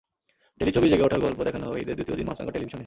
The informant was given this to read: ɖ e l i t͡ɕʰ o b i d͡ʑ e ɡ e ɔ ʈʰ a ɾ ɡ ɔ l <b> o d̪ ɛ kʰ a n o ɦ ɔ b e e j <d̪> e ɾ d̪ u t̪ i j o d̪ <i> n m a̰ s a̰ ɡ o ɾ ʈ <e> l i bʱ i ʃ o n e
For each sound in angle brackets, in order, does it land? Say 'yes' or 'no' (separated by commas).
no, yes, yes, yes